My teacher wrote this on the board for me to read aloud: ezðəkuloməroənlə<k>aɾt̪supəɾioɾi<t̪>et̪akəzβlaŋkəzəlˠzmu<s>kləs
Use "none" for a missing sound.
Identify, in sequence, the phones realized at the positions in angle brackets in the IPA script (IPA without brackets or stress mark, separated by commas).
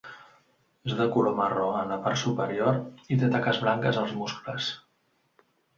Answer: p, t̪, s